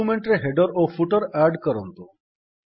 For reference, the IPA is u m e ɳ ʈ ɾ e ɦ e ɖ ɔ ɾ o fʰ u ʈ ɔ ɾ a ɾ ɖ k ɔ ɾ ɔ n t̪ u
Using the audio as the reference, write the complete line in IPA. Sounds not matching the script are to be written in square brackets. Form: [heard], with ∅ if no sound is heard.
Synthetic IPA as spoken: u m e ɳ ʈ ɾ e ɦ e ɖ ɔ ɾ o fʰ u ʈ ɔ ɾ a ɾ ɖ k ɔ ɾ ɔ n t̪ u